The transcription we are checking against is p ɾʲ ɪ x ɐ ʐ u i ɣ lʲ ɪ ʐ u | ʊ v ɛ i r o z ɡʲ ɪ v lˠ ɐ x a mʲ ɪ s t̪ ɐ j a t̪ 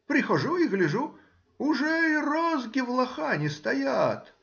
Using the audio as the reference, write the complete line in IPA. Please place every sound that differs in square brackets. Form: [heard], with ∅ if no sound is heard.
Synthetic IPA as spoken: p ɾʲ ɪ x ɐ ʐ u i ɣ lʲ ɪ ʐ u | ʊ [ʐ] ɛ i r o z ɡʲ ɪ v lˠ ɐ x a [nʲ] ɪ s t̪ ɐ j a t̪